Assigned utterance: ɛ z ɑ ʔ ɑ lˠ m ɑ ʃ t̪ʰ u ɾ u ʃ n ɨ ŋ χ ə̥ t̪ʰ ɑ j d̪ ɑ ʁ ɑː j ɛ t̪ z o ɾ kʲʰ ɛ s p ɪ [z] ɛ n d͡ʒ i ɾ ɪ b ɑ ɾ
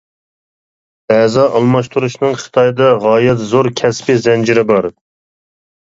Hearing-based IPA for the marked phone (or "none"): z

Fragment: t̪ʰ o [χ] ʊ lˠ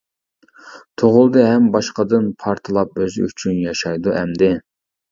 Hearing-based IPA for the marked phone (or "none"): ʁ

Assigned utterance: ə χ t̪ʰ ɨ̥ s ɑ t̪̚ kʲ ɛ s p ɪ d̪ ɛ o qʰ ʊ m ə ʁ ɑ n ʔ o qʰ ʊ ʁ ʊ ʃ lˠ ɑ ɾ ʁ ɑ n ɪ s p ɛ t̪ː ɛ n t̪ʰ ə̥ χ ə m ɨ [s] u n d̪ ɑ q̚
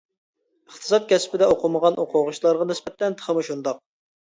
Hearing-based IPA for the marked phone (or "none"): ʃ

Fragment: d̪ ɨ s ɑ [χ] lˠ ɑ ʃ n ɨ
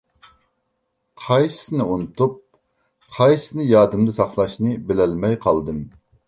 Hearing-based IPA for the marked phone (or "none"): χ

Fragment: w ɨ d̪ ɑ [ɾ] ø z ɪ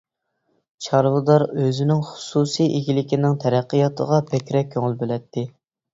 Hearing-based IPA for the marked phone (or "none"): ɾ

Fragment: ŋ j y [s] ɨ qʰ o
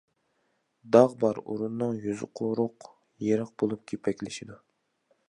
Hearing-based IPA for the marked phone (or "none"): z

